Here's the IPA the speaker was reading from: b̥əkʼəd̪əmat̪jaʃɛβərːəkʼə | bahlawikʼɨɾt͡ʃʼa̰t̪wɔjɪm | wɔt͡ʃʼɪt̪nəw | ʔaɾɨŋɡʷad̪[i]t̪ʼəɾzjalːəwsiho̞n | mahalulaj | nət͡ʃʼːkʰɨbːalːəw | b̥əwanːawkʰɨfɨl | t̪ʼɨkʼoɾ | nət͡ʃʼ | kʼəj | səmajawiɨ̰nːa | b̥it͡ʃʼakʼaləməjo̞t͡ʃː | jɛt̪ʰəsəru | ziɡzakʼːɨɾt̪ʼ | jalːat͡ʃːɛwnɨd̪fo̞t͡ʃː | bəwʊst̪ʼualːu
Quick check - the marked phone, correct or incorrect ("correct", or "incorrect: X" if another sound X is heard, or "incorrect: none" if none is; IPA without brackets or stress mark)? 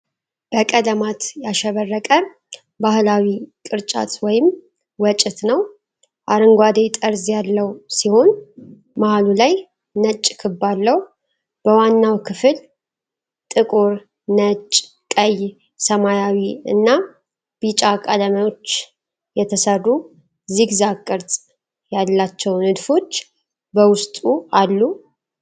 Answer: incorrect: e